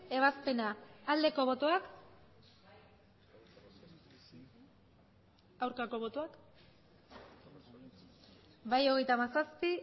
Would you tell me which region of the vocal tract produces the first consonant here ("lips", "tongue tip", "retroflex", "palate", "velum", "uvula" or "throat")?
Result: lips